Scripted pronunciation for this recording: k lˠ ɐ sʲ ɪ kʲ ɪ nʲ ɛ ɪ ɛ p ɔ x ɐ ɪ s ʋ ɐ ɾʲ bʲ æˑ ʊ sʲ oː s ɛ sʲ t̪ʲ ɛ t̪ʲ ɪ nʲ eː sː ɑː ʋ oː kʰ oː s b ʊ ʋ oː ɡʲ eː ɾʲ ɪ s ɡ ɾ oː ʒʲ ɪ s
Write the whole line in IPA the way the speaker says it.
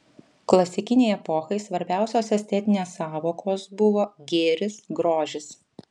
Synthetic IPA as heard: k lˠ ɐ sʲ ɪ kʲ ɪ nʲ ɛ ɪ ɛ p ɔ x ɐ ɪ s ʋ ɐ ɾʲ bʲ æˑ ʊ sʲ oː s ɛ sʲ t̪ʲ ɛ t̪ʲ ɪ nʲ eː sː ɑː ʋ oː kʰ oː s b ʊ ʋ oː ɡʲ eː ɾʲ ɪ s ɡ ɾ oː ʒʲ ɪ s

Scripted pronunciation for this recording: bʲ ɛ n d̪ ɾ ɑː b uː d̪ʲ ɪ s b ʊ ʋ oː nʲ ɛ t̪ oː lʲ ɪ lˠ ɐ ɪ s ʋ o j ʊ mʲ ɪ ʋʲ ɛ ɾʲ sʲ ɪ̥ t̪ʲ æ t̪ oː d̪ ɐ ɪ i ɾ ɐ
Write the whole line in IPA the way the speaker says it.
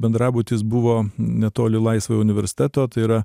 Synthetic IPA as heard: bʲ ɛ n d̪ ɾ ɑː b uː t̪ʲ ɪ s b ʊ ʋ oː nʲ ɛ t̪ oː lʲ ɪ lˠ ɐ ɪ s ʋ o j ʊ nʲ ɪ ʋʲ ɛ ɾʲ sʲ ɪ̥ t̪ʲ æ t̪ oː t̪ ɐ ɪ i ɾ ɐ

